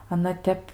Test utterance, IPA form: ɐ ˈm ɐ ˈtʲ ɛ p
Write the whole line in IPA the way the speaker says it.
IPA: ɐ ˈn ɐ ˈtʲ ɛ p

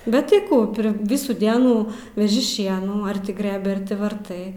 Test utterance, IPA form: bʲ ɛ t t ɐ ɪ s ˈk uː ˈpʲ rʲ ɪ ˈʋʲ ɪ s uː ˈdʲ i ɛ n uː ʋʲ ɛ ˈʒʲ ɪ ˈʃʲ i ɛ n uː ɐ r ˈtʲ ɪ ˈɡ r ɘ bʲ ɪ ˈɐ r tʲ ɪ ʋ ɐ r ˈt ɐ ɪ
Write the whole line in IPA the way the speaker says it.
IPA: bʲ ɛ t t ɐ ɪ ˈk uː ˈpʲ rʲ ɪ ˈʋʲ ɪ s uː ˈdʲ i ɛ n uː ʋʲ ɛ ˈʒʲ ɪ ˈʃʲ i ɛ n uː ɐ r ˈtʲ ɪ ˈɡ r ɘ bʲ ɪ ˈɐ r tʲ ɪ ʋ ɐ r ˈt ɐ ɪ

